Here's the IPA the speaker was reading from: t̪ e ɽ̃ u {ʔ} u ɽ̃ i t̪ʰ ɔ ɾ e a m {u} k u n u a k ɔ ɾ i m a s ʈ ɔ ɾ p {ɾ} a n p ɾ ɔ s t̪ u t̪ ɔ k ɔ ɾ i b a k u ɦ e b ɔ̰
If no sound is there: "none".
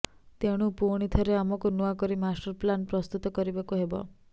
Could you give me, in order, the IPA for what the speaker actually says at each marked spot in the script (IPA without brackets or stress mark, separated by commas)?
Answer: p, ɔ, l